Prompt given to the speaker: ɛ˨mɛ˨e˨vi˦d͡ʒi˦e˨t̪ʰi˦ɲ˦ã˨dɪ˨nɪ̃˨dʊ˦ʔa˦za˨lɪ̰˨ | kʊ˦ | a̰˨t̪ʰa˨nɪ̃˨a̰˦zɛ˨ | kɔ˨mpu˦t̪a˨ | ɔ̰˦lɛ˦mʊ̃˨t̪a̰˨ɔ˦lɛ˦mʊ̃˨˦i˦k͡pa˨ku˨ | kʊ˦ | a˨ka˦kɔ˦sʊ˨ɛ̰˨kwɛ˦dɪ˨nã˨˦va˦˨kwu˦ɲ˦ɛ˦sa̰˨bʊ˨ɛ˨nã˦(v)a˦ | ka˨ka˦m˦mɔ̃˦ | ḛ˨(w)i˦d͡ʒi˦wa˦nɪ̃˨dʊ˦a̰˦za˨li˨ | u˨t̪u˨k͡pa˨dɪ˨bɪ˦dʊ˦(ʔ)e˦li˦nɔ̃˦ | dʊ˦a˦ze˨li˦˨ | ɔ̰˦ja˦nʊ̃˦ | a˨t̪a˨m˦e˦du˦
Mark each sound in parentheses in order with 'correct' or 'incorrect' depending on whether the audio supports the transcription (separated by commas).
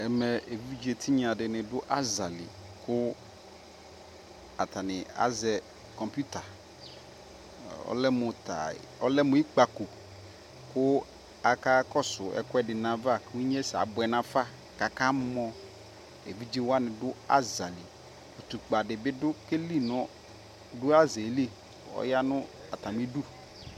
incorrect, incorrect, incorrect